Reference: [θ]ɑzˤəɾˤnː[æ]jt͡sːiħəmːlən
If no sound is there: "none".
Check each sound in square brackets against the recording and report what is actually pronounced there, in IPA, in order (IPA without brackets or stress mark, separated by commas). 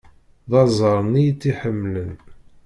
ð, i